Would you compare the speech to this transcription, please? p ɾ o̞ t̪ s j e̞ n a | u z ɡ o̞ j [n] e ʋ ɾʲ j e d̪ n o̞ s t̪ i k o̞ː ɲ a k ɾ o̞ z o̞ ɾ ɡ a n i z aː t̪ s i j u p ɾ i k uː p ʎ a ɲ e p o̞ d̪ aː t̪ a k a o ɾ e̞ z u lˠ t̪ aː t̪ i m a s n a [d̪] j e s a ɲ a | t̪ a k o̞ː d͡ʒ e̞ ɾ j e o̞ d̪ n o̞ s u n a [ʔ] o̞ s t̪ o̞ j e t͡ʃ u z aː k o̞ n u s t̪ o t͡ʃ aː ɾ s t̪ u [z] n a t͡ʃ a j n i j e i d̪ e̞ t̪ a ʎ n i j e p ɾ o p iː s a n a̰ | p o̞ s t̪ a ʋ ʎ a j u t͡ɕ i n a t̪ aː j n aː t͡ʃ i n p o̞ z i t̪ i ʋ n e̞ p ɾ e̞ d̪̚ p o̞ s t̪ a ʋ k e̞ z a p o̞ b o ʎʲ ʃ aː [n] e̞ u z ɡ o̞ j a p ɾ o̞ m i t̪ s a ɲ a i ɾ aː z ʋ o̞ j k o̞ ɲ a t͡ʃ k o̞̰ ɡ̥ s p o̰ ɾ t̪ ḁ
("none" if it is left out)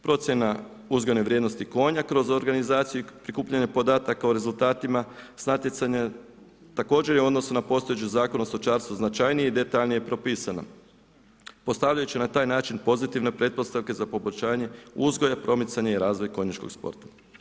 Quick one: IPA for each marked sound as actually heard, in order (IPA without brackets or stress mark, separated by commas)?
n, t̪, p, z, ɲ